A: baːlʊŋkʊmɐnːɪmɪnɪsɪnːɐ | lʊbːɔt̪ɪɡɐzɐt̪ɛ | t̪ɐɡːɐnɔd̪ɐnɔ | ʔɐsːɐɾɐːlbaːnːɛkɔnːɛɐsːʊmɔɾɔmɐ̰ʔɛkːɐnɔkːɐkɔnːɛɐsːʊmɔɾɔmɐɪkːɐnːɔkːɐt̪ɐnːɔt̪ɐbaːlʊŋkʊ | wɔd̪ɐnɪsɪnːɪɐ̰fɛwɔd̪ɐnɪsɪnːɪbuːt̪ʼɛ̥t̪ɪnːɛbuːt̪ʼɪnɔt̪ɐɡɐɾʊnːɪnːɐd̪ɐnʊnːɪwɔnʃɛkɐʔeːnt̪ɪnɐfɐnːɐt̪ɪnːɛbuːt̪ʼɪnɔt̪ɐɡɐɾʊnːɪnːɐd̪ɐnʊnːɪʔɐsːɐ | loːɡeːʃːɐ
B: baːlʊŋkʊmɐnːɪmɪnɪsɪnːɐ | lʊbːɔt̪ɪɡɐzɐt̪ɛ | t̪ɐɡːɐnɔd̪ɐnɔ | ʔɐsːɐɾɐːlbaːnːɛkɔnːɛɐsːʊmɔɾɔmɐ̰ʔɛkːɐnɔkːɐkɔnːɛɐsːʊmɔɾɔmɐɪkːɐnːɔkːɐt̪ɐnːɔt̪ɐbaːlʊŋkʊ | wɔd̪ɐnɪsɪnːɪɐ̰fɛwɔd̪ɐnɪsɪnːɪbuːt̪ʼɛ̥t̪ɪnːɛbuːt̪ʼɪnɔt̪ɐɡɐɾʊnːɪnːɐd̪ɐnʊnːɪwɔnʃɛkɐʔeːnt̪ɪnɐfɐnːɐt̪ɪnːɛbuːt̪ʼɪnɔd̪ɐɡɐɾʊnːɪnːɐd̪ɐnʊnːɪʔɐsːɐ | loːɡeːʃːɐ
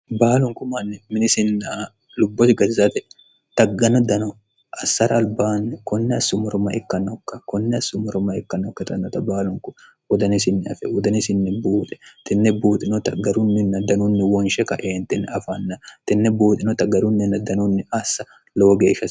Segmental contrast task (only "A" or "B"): A